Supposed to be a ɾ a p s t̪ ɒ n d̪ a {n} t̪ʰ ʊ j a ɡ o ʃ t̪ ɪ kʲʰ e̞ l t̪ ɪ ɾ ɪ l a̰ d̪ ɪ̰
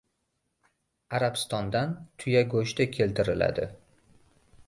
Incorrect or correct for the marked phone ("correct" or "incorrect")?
correct